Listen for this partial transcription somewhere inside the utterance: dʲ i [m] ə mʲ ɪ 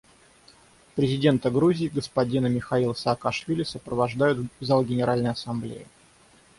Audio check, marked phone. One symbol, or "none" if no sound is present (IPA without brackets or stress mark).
n